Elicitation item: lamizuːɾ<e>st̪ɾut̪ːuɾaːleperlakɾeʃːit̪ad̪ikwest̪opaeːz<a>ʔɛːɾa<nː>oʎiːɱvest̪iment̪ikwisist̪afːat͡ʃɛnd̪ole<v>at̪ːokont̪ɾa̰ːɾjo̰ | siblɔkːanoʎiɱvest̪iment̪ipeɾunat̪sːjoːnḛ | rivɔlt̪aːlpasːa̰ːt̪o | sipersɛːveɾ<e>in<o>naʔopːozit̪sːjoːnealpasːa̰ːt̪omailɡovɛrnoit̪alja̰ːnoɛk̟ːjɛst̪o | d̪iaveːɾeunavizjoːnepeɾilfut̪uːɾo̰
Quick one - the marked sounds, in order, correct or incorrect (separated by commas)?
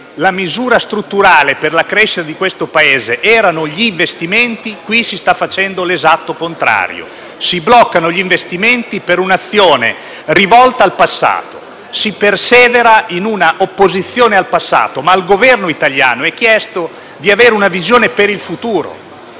incorrect, incorrect, incorrect, incorrect, incorrect, incorrect